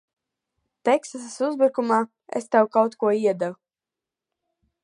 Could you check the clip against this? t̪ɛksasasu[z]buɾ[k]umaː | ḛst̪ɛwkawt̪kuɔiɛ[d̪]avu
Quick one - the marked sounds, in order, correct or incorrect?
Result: correct, correct, correct

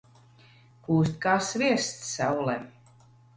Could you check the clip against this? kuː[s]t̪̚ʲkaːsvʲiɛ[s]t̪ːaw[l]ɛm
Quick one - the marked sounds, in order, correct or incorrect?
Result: correct, correct, correct

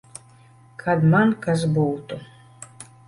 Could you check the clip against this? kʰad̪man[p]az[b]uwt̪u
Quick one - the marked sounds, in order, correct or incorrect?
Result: incorrect, correct

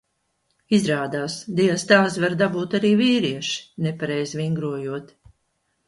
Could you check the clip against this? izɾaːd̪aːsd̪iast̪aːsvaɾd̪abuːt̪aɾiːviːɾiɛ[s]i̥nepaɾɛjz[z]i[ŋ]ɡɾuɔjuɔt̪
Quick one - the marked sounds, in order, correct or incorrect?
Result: incorrect, incorrect, correct

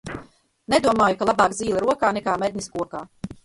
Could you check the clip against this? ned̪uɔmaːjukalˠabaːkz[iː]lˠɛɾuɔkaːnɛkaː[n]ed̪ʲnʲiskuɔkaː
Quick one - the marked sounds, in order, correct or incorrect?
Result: correct, incorrect

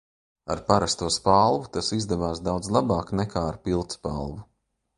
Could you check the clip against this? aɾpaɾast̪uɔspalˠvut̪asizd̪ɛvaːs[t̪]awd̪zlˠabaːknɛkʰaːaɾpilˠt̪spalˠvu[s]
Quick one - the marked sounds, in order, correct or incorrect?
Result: incorrect, incorrect

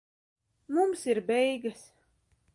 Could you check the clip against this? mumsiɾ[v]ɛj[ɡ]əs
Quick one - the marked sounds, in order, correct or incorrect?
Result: incorrect, correct

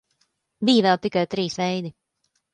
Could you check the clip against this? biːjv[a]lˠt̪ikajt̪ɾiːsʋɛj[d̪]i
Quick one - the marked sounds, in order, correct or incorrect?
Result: incorrect, correct

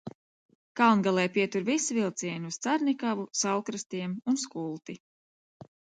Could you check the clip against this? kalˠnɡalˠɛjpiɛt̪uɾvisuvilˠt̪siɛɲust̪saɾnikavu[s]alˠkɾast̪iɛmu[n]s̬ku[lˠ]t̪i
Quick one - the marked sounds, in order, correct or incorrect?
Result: correct, correct, correct

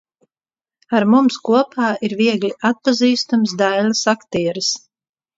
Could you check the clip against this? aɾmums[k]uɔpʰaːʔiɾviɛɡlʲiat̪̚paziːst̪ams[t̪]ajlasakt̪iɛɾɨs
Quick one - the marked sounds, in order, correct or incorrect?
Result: correct, incorrect

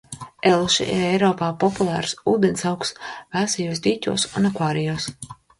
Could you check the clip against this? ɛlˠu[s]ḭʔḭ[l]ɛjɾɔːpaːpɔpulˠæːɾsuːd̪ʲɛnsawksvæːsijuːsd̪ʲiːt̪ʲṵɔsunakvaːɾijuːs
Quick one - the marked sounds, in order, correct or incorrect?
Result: incorrect, incorrect

